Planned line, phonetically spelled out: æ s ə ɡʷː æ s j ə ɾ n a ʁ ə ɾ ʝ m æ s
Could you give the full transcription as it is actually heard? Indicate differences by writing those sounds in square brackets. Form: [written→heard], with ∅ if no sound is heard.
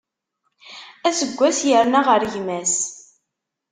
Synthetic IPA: æ s ə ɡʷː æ s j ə ɾ n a ʁ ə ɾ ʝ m æ s